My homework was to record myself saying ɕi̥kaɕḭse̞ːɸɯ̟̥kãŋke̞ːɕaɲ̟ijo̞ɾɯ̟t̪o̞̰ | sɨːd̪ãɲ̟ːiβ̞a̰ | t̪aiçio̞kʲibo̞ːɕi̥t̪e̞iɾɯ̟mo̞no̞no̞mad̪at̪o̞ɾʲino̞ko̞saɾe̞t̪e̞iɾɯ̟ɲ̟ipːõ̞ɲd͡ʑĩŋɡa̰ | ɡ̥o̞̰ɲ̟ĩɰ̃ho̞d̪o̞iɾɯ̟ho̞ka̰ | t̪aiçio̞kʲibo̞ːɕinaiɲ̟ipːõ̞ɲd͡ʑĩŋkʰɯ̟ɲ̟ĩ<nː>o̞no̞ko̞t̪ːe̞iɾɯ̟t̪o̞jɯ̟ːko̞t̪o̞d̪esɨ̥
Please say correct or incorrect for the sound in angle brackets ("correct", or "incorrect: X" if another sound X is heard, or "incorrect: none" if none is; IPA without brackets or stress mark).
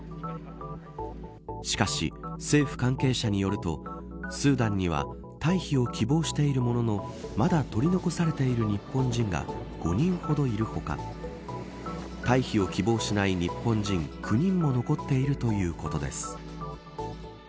incorrect: mː